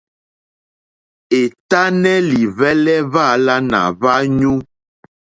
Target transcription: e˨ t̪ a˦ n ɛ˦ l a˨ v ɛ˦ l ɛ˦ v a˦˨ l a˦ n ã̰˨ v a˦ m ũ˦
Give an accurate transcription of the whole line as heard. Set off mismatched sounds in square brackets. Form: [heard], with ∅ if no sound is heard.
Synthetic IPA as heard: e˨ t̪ a˦ n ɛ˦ l [i˨] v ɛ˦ l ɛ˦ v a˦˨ l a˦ n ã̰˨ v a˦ [ɲ] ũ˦